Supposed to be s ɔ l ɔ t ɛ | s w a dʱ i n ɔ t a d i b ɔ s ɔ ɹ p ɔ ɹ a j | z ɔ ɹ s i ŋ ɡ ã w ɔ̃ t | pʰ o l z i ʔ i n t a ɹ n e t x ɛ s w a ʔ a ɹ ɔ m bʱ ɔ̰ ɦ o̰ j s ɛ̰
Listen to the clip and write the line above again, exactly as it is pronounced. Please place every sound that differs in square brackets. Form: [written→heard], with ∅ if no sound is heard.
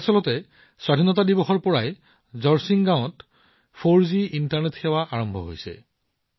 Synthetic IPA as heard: s ɔ l ɔ t ɛ | s w a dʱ i n ɔ t a d i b ɔ [s→x] ɔ ɹ p ɔ ɹ a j | z ɔ ɹ s i ŋ ɡ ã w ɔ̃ t | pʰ o [l→ɹ] z i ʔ i n t a ɹ n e t x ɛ [s→∅] w a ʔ a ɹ ɔ m bʱ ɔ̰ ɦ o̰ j s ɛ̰